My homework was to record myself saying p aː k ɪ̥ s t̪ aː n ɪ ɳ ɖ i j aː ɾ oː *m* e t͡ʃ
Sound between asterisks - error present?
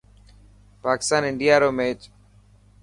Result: no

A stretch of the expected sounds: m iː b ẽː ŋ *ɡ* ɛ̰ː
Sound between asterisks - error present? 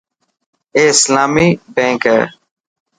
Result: yes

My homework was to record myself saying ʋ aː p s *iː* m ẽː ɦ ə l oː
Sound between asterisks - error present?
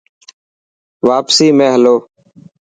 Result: no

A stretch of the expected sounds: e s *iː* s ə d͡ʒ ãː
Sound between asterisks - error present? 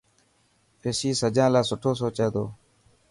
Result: no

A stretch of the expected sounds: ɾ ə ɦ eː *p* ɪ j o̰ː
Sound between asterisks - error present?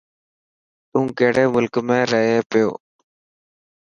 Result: no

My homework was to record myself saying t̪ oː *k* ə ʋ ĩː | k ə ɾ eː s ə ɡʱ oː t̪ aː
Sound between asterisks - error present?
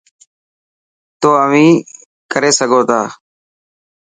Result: yes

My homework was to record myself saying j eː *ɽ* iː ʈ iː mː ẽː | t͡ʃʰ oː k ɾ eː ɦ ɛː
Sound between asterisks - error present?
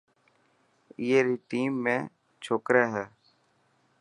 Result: yes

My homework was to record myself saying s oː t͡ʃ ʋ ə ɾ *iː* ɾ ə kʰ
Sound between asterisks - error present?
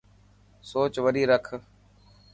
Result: no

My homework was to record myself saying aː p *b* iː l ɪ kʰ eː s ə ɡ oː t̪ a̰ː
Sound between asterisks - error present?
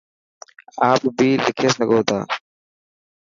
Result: no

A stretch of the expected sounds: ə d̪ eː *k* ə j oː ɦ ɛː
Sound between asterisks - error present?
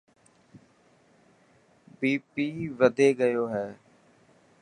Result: yes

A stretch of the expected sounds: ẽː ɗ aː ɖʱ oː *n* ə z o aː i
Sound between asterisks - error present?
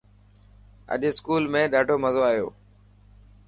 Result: yes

